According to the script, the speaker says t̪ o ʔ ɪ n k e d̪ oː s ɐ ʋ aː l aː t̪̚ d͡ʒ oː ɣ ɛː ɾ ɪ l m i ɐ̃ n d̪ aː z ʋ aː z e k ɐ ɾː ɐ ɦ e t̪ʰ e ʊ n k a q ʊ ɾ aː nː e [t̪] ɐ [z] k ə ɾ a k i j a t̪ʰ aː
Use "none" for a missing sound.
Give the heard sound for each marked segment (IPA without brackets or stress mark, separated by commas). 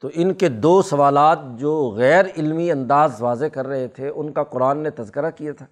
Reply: t̪, z